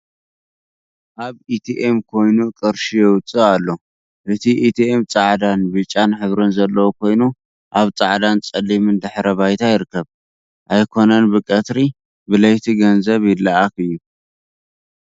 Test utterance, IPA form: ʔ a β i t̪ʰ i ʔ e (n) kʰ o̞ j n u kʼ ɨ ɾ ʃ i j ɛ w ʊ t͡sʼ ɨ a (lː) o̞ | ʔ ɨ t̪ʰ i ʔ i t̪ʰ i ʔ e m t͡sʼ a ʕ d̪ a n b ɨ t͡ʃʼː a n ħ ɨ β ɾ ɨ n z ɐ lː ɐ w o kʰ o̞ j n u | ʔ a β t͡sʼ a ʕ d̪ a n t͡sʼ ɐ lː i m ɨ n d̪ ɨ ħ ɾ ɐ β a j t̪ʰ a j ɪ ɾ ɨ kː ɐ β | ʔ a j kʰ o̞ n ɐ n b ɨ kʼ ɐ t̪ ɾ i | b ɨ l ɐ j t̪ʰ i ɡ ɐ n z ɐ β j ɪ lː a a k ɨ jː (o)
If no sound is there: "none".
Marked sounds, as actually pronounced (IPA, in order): m, lː, u

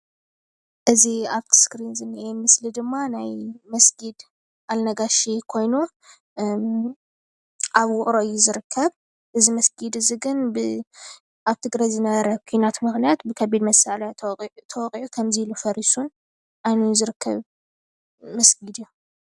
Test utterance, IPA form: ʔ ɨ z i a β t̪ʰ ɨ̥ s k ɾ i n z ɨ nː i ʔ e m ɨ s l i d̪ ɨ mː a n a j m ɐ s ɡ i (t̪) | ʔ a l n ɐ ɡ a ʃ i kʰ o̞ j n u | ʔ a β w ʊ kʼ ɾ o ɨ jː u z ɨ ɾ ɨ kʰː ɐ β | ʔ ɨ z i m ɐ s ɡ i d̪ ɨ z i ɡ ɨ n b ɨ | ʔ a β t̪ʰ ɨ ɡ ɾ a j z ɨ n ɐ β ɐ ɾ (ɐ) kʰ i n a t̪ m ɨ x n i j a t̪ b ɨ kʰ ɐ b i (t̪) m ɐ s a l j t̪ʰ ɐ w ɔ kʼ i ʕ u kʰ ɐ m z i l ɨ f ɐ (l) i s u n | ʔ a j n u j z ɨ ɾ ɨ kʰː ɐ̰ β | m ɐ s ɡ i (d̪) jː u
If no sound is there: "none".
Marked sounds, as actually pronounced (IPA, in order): d̪, ɐ, d̪, ɾ, d̪

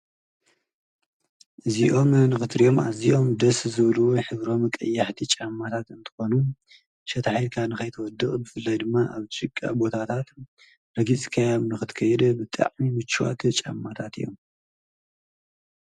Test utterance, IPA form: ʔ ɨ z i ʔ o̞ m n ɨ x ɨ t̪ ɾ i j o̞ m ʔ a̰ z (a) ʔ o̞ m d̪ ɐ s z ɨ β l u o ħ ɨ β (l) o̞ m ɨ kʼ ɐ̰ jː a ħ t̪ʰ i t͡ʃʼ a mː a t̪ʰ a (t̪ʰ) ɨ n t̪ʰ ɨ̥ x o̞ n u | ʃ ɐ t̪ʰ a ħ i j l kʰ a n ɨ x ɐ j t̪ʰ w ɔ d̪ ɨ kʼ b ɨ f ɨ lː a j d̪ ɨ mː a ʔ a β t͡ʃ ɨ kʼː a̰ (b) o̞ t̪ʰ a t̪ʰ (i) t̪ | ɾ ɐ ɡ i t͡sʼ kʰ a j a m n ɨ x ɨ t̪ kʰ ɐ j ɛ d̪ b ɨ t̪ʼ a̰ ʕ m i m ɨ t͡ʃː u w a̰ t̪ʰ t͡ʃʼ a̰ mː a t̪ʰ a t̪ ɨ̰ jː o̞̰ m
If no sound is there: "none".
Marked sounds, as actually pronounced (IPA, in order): i, ɾ, t̪, b, a

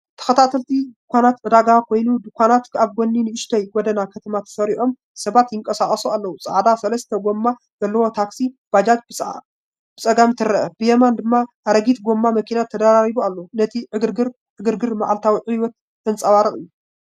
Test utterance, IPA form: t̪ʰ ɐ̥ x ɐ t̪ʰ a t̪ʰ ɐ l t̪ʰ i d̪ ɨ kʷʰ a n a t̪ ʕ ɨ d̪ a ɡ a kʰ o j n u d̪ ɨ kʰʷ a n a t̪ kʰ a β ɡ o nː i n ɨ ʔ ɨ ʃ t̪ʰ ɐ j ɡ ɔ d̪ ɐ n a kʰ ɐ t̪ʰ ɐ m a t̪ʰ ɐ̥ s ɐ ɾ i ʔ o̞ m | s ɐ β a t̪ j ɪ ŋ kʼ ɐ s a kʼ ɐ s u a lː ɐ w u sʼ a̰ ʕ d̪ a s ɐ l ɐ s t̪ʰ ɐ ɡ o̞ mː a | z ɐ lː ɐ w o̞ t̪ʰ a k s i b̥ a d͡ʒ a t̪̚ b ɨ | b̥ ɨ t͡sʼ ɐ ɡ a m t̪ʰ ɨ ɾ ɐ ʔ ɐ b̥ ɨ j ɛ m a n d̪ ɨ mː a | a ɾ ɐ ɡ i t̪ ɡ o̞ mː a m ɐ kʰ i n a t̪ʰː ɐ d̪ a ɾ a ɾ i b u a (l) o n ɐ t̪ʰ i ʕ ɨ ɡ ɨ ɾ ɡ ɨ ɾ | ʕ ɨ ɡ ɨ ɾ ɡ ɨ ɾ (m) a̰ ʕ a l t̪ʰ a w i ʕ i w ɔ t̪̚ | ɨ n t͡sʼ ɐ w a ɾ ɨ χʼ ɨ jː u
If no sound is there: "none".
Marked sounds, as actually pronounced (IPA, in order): lː, m

